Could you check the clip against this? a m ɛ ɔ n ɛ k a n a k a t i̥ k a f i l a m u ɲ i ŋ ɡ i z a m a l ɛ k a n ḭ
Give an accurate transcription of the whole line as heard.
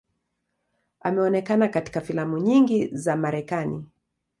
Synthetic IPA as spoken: a m ɛ ɔ n ɛ k a n a k a t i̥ k a f i l a m u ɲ i ŋ ɡ i z a m a ɾ ɛ k a n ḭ

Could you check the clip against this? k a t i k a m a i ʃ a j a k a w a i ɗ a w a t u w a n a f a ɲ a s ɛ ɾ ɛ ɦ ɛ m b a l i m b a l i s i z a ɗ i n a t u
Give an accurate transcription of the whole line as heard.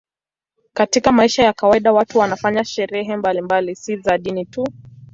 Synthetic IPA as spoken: k a t i k a m a i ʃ a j a k a w a i ɗ a w a t u w a n a f a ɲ a ʃ ɛ ɾ ɛ ɦ ɛ m b a l i m b a l i s i z a ɗ i n i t u

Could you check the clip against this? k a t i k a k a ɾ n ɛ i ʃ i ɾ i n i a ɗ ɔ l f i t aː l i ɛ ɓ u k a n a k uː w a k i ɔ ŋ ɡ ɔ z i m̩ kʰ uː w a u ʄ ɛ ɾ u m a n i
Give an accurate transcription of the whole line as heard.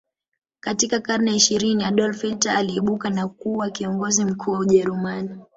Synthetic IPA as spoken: k a t i k a k a ɾ n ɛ i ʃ i ɾ i n i a ɗ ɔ l f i t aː l i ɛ ɓ u k a n a k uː w a k i ɔ ŋ ɡ ɔ z i m̩ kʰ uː w a u ʄ ɛ ɾ u m a n i

